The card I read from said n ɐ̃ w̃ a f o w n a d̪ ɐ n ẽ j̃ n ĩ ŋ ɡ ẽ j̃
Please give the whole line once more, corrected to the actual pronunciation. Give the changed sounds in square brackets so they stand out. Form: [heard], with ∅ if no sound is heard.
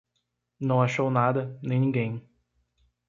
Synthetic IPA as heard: n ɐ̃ w̃ a [ʃ] o w n a d̪ ɐ n ẽ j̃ n ĩ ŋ ɡ ẽ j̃